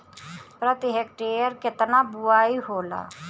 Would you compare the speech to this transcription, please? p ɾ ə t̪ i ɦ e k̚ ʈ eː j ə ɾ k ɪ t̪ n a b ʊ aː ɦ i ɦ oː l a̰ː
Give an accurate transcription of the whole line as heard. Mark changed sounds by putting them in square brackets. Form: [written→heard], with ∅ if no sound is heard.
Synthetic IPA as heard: p ɾ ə t̪ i ɦ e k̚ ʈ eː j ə ɾ k ɪ t̪ n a b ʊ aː [ɦ→∅] i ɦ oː l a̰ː